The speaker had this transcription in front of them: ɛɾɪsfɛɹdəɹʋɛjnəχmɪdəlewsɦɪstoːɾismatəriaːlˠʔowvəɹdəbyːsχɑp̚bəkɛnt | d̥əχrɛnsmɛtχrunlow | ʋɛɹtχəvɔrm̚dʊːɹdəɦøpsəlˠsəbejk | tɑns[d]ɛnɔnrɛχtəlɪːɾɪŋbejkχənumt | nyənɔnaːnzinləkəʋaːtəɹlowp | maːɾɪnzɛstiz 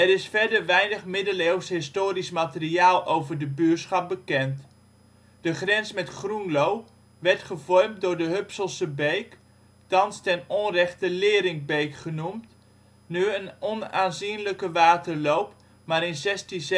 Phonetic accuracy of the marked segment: incorrect: t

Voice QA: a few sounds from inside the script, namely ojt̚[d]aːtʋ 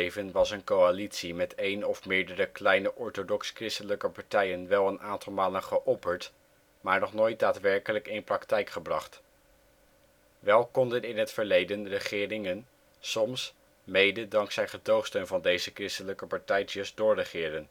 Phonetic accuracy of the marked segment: correct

